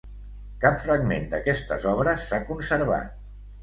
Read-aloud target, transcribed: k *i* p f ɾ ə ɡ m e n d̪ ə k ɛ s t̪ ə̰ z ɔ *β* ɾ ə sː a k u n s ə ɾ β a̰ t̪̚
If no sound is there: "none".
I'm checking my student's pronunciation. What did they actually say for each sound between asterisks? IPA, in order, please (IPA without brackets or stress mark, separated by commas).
a, β